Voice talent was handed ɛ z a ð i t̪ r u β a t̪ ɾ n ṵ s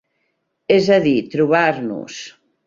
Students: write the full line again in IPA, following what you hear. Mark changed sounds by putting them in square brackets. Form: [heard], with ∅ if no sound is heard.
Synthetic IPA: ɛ z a ð i t̪ [ɾ] u β a [∅] ɾ n ṵ s